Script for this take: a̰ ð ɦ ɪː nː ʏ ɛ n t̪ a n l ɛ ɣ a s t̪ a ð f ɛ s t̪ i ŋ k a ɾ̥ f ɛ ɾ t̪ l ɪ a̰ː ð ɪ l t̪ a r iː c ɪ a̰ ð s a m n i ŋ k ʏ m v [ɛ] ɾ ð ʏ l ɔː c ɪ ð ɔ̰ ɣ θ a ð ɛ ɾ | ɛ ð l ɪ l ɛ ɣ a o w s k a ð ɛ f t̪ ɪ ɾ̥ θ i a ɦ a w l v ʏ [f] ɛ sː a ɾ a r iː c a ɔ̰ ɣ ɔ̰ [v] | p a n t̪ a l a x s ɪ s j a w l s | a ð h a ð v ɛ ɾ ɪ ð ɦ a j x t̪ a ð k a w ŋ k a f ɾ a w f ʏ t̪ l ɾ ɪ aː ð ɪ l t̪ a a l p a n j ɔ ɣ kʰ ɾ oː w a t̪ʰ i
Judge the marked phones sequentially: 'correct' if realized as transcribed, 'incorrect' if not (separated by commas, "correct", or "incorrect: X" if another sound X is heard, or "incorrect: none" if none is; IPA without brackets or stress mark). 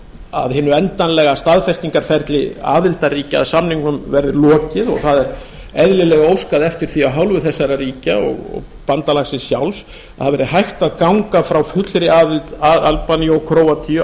correct, incorrect: θ, incorrect: ɣ